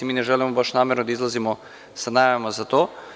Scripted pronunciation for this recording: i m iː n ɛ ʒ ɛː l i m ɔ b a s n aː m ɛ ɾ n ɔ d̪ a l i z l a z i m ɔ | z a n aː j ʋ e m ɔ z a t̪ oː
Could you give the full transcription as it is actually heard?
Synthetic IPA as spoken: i m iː n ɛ ʒ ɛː l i m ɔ b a ʃ n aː m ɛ ɾ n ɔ d̪ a i z l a z i m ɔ | s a n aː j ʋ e m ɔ z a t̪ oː

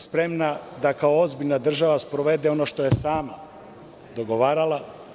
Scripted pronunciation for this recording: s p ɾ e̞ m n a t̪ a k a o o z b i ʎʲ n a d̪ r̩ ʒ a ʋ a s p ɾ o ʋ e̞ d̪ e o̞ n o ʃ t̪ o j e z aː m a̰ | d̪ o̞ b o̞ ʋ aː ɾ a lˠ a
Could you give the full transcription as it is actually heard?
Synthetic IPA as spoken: s p ɾ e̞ m n a d̪ a k a o o z b i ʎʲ n a d̪ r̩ ʒ a ʋ a s p ɾ o ʋ e̞ d̪ e o̞ n o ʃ t̪ o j e s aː m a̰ | d̪ o̞ ɡ o̞ ʋ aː ɾ a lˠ a

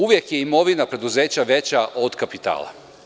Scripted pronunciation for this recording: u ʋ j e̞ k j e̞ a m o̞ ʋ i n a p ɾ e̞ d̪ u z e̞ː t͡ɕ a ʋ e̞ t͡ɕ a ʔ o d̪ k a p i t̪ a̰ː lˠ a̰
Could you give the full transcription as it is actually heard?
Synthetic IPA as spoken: u ʋ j e̞ k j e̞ i m o̞ ʋ i n a p ɾ e̞ d̪ u z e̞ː t͡ɕ a ʋ e̞ t͡ɕ a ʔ o d̪ k a p i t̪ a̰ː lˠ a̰

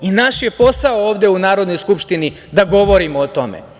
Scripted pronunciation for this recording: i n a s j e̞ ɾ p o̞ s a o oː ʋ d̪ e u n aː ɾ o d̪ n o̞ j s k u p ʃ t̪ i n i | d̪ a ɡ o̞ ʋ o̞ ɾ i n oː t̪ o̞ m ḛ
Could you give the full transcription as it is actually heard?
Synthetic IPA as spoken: i n a ʃ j e̞ p o̞ s a o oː ʋ d̪ e u n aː ɾ o d̪ n o̞ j s k u p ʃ t̪ i n i | d̪ a ɡ o̞ ʋ o̞ ɾ i m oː t̪ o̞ m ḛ

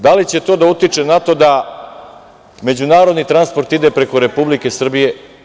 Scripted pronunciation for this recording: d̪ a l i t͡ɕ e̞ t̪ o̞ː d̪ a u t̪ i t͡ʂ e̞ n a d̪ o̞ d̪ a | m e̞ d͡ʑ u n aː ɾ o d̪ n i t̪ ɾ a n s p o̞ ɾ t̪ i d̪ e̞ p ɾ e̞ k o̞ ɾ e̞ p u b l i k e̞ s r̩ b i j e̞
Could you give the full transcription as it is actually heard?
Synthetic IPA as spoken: d̪ a l i t͡ɕ e̞ t̪ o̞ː d̪ a u t̪ i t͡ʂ e̞ n a t̪ o̞ d̪ a | m e̞ d͡ʑ u n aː ɾ o d̪ n i t̪ ɾ a n s p o̞ ɾ t̪ i d̪ e̞ p ɾ e̞ k o̞ ɾ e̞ p u b l i k e̞ s r̩ b i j e̞

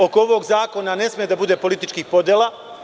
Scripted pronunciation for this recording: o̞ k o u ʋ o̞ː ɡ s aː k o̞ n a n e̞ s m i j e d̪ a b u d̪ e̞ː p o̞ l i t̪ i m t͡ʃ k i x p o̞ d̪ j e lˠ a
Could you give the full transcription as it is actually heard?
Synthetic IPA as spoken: o̞ k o o ʋ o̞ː ɡ z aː k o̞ n a n e̞ s m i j e d̪ a b u d̪ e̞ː p o̞ l i t̪ i t͡ʃ k i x p o̞ d̪ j e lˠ a

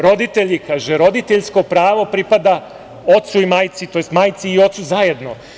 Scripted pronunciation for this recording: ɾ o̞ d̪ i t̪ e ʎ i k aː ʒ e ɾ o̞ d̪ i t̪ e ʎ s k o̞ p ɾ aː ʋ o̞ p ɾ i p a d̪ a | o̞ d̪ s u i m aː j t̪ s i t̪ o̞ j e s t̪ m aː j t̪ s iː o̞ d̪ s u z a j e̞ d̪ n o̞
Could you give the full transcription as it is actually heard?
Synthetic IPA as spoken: ɾ o̞ d̪ i t̪ e ʎ i k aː ʒ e ɾ o̞ d̪ i t̪ e ʎ s k o̞ p ɾ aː ʋ o̞ p ɾ i p a d̪ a | o̞ t̪ s u i m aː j t̪ s i t̪ o̞ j e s t̪ m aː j t̪ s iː o̞ t̪ s u z a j e̞ d̪ n o̞

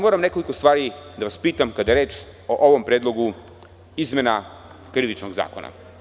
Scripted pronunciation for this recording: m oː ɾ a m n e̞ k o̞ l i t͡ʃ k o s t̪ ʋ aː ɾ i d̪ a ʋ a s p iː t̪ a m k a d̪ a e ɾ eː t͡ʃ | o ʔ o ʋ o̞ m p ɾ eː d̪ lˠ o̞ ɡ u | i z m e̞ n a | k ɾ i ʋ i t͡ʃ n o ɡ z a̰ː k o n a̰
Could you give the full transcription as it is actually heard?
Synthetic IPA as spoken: m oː ɾ a m n e̞ k o̞ l i k o s t̪ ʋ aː ɾ i d̪ a ʋ a s p iː t̪ a m k a d̪ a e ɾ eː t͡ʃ | o ʔ o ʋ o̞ m p ɾ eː d̪ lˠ o̞ ɡ u | i z m e̞ n a | k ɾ i ʋ i t͡ʃ n o ɡ z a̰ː k o n a̰

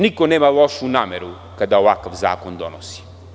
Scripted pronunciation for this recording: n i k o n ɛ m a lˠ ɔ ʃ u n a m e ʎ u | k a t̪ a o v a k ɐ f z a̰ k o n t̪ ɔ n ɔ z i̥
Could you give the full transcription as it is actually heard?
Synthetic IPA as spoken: n i k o n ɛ m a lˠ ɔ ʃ u n a m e ɾ u | k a d̪ a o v a k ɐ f z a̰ k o n d̪ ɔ n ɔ s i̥

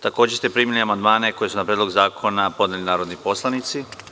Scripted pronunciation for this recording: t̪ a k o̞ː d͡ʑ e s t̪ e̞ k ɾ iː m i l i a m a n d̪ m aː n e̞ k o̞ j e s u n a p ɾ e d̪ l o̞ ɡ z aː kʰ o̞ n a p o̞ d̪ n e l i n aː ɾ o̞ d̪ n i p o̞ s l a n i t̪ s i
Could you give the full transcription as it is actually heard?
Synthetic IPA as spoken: t̪ a k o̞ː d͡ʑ e s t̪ e̞ p ɾ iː m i l i a m a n d̪ m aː n e̞ k o̞ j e s u n a p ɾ e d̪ l o̞ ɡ z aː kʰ o̞ n a p o̞ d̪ n e l i n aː ɾ o̞ d̪ n i p o̞ s l a n i t̪ s i

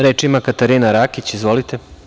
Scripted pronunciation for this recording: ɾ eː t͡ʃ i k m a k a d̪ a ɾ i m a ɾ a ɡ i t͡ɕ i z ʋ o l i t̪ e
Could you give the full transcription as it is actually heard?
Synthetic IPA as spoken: ɾ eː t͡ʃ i m a k a t̪ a ɾ i n a ɾ a k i t͡ɕ i z ʋ o l i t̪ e

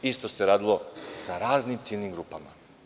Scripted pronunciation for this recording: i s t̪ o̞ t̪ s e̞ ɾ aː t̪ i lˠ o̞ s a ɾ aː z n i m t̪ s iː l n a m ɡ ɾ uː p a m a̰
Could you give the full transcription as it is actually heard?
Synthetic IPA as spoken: i s t̪ o̞ s e̞ ɾ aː d̪ i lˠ o̞ s a ɾ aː z n i m t̪ s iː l n i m ɡ ɾ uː p a m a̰

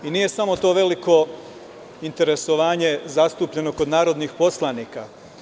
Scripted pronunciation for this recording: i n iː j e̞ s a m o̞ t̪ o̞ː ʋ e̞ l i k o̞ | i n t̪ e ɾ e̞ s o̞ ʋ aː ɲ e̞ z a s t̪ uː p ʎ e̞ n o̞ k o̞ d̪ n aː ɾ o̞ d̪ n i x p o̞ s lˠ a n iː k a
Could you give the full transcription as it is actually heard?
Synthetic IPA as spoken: i n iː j e̞ s a m o̞ t̪ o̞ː ʋ e̞ l i k o̞ | i n t̪ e ɾ e̞ s o̞ ʋ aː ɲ e̞ z a s t̪ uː p ʎ e̞ n o̞ k o̞ d̪ n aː ɾ o̞ d̪ n i x p o̞ s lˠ a n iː k a

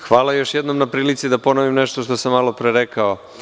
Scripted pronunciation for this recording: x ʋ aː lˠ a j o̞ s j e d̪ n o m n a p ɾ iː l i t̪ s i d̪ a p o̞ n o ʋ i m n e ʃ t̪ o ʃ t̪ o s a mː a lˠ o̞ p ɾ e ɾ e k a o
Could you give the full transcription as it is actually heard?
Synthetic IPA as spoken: x ʋ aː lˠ a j o̞ ʃ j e d̪ n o m n a p ɾ iː l i t̪ s i d̪ a p o̞ n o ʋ i m n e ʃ t̪ o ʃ t̪ o s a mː a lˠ o̞ p ɾ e ɾ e k a o

